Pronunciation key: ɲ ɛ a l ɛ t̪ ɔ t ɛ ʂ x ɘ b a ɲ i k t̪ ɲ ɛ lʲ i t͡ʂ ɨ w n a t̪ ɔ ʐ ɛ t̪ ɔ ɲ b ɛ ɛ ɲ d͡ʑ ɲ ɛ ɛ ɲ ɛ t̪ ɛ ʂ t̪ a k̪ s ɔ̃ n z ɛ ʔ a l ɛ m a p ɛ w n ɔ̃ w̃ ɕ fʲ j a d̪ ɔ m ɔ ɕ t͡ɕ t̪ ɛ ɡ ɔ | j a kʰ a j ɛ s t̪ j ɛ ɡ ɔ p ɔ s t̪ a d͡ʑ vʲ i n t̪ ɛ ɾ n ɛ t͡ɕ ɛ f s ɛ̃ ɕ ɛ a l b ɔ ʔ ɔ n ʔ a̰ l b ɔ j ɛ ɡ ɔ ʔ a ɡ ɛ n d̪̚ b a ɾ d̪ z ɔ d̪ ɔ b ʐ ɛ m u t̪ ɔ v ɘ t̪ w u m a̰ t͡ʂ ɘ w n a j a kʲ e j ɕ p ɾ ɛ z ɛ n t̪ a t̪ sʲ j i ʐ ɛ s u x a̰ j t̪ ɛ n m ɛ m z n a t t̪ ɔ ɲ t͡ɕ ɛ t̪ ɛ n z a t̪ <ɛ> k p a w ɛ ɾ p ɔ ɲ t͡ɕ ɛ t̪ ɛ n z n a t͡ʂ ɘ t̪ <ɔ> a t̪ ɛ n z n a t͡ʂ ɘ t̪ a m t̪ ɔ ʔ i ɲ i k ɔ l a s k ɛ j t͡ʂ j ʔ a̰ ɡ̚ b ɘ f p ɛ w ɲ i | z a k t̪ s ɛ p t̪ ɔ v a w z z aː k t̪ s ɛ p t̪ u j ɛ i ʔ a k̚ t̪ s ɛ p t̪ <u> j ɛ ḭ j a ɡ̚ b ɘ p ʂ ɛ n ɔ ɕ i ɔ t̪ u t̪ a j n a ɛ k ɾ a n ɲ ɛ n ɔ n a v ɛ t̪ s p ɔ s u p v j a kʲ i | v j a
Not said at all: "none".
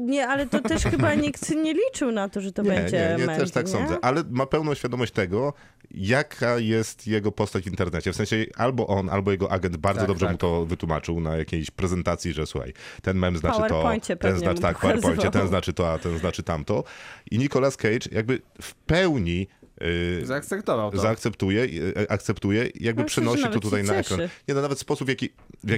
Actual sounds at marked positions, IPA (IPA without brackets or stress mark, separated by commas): a, ɔ, u